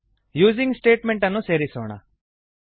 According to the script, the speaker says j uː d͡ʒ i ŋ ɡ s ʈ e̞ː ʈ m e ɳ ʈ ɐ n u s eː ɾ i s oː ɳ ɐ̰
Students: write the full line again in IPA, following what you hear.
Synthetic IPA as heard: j uː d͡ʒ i ŋ ɡ s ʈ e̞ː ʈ m e ɳ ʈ ɐ nː u s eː ɾ i s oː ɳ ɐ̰